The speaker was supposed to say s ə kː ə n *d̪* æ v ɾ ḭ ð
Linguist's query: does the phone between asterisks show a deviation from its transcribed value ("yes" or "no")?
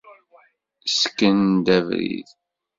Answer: no